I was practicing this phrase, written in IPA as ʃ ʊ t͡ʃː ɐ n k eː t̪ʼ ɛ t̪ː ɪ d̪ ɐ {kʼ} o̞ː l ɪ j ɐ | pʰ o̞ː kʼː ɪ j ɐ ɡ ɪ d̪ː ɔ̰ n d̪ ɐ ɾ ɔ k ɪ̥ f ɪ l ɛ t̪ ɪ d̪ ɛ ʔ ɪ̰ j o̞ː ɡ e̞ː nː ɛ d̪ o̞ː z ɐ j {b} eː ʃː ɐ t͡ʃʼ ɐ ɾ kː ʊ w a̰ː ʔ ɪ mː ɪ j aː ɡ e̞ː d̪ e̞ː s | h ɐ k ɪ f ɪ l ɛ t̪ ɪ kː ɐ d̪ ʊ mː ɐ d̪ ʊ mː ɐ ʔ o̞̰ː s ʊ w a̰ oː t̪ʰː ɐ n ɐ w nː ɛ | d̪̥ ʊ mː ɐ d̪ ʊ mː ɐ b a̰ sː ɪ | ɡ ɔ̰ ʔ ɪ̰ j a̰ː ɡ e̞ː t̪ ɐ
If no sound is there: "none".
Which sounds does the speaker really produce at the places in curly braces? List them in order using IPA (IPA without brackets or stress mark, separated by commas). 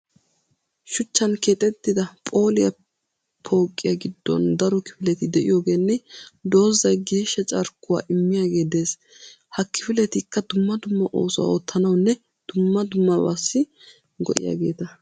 pʼ, ɡ